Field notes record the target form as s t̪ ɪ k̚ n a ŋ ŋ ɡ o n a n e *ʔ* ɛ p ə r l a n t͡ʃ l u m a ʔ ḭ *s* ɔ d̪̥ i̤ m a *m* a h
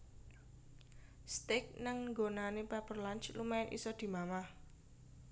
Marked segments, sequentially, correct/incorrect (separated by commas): incorrect, correct, correct